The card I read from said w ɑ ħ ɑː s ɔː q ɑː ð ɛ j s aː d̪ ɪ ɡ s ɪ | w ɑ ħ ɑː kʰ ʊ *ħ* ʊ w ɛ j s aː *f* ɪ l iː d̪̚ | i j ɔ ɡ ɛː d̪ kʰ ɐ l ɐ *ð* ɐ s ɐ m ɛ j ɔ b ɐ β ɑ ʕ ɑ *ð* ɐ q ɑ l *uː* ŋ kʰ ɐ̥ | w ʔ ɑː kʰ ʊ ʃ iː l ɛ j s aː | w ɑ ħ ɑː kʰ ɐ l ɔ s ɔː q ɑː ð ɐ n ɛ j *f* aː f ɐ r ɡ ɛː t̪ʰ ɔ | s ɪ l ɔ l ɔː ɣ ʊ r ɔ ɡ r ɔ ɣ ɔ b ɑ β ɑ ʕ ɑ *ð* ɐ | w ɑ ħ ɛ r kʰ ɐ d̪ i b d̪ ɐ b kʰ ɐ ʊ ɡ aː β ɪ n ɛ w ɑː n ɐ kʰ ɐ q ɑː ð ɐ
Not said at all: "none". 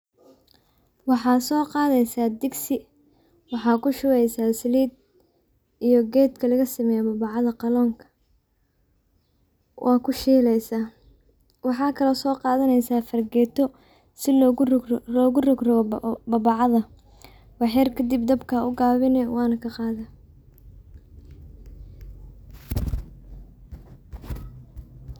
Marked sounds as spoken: ʃ, s, ɣ, ð, ɔː, s, ð

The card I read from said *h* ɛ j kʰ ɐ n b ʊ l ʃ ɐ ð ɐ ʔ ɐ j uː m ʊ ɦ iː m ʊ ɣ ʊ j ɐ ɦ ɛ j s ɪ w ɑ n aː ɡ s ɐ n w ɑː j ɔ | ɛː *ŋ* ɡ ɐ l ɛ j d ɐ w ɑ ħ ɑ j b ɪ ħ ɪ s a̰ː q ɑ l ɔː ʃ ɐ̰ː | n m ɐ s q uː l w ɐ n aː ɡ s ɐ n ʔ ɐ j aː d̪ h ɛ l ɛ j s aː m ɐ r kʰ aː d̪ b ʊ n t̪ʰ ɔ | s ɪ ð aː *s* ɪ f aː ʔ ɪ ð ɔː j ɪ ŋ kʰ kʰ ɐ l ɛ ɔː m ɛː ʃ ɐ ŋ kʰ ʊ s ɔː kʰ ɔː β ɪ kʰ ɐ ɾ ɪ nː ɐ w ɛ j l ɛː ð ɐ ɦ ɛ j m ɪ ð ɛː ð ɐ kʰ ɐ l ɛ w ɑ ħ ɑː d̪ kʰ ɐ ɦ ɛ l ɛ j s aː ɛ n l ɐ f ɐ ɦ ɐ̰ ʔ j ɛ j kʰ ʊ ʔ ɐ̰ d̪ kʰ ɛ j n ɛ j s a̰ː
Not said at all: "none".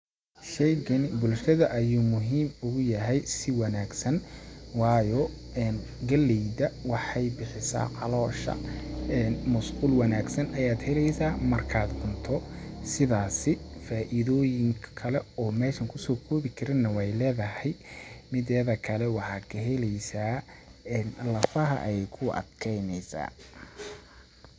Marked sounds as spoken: ʃ, n, s

